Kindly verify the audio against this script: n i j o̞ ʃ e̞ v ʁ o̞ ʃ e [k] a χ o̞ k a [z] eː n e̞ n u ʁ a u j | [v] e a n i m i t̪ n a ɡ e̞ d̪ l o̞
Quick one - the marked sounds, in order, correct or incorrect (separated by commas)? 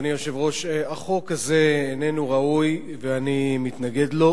incorrect, correct, correct